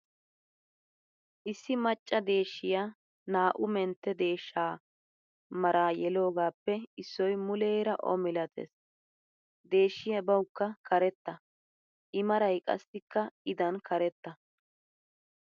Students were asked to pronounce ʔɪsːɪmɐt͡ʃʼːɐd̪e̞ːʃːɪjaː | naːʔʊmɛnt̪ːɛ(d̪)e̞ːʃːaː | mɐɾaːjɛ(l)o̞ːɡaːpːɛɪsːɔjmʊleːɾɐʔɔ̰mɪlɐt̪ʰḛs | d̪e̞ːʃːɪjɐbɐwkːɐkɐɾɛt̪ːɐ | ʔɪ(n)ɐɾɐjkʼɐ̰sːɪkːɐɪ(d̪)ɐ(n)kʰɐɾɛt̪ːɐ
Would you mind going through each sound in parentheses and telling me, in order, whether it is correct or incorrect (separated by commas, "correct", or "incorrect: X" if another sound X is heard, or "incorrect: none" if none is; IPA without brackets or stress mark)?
correct, correct, incorrect: m, correct, correct